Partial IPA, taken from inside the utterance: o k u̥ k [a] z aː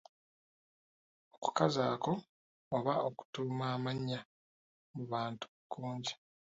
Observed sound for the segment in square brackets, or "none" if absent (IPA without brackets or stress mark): a